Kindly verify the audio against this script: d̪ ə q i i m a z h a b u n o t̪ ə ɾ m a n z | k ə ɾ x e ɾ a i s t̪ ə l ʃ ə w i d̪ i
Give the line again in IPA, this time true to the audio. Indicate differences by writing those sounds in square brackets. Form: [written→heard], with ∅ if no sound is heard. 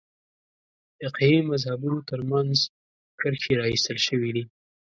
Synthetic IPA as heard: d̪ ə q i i m a z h a b u n o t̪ ə ɾ m a n z | k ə ɾ x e ɾ [a→ɑ] i s t̪ ə l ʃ ə w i d̪ i